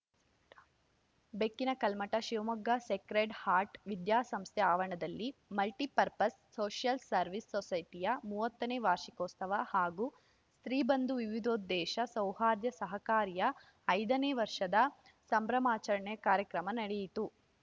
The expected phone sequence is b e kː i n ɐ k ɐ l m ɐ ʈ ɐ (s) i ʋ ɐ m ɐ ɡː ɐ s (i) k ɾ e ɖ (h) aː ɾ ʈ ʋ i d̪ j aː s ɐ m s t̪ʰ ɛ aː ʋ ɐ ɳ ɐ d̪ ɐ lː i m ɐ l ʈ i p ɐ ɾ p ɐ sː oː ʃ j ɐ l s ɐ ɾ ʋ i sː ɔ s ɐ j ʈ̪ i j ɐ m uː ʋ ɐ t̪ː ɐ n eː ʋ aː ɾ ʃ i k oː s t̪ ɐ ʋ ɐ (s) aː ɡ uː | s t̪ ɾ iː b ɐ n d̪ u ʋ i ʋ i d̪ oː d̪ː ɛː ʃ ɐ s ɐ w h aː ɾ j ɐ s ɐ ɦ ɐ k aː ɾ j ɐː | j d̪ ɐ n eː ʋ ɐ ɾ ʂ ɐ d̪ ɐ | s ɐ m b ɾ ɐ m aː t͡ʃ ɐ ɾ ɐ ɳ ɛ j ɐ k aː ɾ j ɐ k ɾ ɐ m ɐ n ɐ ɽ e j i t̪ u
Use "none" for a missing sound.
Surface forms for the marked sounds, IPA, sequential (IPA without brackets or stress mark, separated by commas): ʃ, e, h, h